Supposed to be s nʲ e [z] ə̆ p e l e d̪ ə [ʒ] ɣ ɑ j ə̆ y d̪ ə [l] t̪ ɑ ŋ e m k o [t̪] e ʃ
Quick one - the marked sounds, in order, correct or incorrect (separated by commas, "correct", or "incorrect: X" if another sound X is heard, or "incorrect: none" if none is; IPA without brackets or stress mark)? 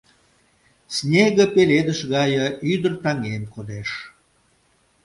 incorrect: ɣ, incorrect: ʃ, incorrect: r, incorrect: d̪